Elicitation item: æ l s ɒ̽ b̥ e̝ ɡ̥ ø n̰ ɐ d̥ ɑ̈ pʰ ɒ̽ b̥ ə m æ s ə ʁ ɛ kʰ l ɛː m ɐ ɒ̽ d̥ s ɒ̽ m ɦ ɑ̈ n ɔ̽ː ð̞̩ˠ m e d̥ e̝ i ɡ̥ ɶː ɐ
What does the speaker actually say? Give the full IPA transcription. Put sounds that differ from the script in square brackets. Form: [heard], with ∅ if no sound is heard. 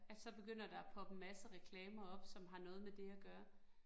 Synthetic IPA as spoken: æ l s ɒ̽ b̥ e̝ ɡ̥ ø n̰ ɐ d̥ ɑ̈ pʰ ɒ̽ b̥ ə m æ s ə ʁ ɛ kʰ l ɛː m ɐ ɒ̽ [b̥] s ɒ̽ m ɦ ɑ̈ n ɔ̽ː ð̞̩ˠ m e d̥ e̝ [æ] ɡ̥ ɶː ɐ